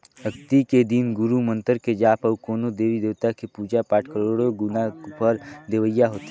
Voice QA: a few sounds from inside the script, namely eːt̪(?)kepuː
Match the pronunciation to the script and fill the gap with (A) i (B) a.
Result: B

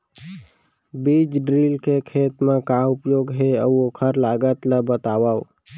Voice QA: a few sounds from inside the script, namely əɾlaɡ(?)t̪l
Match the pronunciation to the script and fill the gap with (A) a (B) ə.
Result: B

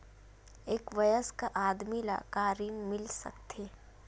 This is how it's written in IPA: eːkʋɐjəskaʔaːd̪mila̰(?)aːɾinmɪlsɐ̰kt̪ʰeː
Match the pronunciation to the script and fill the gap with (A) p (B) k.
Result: B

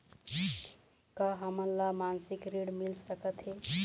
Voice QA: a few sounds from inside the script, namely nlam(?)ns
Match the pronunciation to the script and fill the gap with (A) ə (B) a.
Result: B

